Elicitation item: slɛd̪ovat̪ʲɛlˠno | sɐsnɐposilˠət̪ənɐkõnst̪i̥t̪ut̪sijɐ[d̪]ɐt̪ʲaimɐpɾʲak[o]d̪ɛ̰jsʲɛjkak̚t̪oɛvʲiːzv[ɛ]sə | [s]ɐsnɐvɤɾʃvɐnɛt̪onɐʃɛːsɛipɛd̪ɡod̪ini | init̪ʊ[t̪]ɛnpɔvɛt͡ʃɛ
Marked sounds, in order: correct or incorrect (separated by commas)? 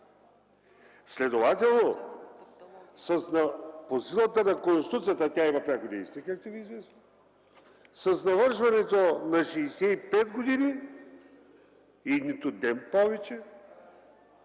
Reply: incorrect, correct, correct, correct, incorrect